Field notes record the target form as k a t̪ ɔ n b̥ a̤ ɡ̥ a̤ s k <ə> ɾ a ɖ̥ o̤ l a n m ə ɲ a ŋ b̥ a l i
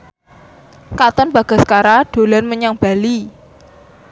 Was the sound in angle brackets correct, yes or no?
no